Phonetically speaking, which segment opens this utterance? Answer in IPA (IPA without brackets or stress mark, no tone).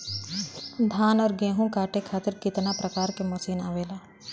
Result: d̪ʱ